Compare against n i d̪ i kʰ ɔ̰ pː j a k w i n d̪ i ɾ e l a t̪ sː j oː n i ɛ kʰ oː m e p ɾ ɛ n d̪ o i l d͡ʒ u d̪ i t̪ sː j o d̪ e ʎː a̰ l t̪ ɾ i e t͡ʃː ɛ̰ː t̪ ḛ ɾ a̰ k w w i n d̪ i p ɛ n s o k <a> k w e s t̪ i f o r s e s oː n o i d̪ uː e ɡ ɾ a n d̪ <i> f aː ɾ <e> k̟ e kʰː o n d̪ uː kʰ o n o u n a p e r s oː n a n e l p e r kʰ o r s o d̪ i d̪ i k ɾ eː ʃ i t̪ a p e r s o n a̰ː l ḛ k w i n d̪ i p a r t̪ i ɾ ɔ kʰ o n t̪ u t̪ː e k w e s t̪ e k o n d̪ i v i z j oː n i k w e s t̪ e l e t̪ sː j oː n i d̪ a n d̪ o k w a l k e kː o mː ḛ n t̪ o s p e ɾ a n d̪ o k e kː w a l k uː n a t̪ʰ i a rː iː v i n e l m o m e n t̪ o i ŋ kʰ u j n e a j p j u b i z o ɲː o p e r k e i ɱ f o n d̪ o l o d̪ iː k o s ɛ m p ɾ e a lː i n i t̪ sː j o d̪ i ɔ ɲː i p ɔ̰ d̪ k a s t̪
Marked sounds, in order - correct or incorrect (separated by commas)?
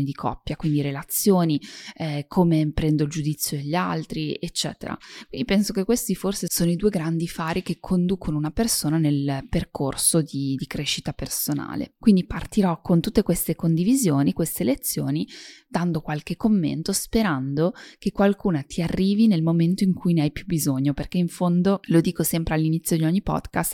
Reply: incorrect, correct, incorrect